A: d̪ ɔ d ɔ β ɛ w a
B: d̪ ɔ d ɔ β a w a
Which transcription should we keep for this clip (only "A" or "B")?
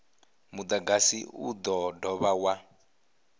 B